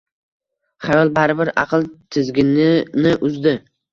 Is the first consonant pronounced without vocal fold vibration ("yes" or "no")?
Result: yes